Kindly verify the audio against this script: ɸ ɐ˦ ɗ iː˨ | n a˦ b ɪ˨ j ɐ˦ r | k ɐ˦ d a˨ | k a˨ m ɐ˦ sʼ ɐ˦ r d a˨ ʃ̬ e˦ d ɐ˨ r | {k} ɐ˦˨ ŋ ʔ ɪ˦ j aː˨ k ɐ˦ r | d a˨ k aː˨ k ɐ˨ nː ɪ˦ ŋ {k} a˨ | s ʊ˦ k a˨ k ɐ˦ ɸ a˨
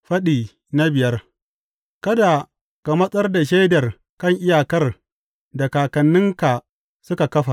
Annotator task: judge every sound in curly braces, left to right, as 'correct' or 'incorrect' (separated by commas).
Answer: correct, correct